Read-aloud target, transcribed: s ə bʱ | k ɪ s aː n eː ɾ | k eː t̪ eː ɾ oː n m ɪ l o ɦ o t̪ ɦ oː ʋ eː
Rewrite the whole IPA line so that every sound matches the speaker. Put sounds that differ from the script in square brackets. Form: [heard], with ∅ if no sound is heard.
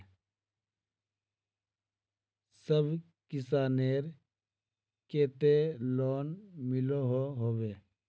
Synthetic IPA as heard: s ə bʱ | k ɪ s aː n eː ɾ | k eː t̪ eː [l] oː n m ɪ l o ɦ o [∅] ɦ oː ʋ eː